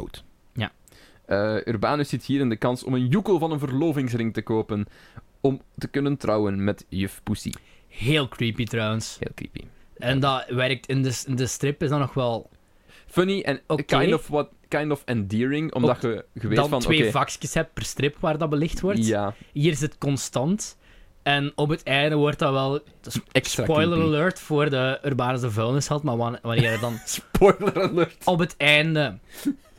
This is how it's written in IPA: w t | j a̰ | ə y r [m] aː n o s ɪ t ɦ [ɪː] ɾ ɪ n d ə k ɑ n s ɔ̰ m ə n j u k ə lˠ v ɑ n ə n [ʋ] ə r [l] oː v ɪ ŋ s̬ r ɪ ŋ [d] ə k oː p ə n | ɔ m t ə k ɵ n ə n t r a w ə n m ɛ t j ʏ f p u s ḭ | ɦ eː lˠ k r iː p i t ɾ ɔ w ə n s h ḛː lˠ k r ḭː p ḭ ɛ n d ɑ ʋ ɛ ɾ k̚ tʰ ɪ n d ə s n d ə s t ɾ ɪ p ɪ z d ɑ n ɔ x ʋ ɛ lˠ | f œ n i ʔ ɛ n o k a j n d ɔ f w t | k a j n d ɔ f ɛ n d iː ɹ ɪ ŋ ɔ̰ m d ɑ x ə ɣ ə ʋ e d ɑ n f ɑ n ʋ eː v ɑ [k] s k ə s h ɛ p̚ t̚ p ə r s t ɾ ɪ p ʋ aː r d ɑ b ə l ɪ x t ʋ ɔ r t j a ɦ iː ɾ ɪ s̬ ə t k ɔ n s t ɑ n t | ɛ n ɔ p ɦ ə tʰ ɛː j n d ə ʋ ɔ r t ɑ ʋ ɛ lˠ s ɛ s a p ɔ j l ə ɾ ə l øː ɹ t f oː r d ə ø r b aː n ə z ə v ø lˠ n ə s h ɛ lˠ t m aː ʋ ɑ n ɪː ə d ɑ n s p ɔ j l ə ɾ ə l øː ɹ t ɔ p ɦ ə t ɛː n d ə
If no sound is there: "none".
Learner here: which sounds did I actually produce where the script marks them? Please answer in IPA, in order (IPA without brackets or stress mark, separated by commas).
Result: b, iː, v, l, t, k